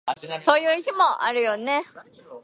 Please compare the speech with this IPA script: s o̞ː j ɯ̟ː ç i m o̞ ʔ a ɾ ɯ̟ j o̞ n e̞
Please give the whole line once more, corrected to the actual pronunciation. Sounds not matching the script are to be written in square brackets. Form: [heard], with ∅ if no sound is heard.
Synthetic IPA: s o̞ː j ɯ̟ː ç i m o̞ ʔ a ɾ ɯ̟ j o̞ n e̞